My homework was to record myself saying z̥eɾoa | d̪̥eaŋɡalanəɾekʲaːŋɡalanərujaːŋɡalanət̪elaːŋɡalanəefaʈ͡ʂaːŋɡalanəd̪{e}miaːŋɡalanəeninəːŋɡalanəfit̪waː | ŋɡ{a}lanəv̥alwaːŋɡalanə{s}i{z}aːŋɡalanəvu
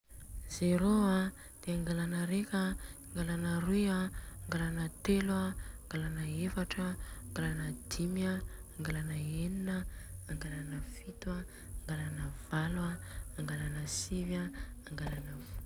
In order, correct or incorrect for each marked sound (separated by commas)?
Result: incorrect, correct, correct, incorrect